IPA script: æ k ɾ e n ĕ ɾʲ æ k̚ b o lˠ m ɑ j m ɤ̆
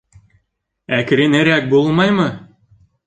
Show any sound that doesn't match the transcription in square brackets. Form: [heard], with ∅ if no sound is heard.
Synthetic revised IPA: æ k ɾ e n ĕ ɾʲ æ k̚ b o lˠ m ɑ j m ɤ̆